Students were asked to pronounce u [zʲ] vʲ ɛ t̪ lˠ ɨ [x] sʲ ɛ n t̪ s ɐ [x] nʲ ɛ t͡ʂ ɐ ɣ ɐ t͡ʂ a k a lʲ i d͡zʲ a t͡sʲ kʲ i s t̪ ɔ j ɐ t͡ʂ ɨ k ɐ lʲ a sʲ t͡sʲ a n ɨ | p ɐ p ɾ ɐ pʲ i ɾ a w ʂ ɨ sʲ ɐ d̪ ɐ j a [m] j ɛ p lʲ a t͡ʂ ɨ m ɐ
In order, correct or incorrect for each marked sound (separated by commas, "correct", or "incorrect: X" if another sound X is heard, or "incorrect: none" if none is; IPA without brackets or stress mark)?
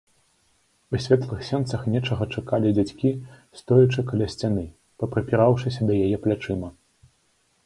incorrect: sʲ, correct, correct, incorrect: none